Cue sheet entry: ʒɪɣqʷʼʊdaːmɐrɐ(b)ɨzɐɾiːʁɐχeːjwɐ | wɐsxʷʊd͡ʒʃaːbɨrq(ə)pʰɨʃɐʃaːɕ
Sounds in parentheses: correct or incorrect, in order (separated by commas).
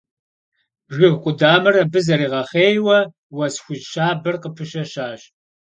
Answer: correct, correct